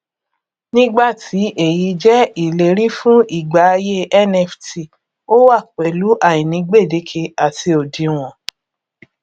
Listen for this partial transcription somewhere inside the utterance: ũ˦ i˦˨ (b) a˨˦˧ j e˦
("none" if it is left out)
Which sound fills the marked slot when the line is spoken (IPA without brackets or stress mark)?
ɡ͡b